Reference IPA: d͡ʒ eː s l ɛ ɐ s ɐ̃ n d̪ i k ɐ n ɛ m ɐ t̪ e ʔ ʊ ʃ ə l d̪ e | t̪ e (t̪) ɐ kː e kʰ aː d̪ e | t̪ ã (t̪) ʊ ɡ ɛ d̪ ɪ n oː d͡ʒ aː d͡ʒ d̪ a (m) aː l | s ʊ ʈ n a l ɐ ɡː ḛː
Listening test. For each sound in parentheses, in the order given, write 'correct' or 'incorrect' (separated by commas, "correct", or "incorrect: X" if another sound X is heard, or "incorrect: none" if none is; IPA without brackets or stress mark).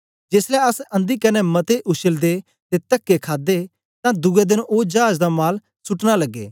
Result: correct, incorrect: d̪, correct